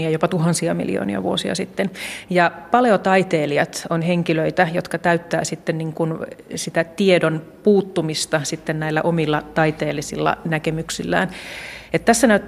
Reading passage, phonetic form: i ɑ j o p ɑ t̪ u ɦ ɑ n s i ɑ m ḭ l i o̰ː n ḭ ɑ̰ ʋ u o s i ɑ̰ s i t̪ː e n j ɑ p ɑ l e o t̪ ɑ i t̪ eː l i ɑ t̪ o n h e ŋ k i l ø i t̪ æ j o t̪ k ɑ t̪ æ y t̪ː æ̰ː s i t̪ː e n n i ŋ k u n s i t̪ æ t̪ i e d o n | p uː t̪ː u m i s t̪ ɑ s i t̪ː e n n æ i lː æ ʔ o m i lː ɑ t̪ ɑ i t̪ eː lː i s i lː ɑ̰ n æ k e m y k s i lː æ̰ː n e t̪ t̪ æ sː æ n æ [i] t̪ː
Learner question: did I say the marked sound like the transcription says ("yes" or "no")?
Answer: no